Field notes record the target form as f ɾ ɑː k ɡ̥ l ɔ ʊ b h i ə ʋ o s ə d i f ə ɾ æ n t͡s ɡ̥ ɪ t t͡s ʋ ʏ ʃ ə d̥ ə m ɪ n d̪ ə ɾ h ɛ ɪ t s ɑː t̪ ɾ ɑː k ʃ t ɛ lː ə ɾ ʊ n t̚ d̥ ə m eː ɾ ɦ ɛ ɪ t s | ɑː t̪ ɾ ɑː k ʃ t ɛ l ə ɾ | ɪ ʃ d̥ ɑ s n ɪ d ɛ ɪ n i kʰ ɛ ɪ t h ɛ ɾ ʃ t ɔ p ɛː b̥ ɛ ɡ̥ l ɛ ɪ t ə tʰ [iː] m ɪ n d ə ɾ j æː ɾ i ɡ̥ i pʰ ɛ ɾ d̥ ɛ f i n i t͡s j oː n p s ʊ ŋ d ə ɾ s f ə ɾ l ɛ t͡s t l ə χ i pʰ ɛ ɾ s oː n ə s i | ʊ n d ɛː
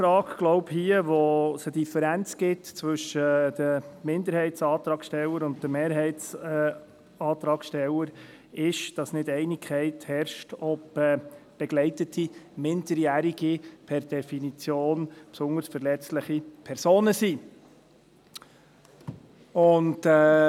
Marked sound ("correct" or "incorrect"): incorrect